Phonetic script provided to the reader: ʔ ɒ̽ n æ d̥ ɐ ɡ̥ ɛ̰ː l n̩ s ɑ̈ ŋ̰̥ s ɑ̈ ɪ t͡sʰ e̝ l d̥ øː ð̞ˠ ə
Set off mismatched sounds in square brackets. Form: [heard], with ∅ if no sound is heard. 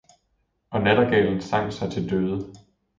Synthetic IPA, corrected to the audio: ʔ ɒ̽ n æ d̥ ɐ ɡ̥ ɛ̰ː l n̩ s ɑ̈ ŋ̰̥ s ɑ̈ ɪ t͡sʰ e̝ l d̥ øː ð̞ˠ ə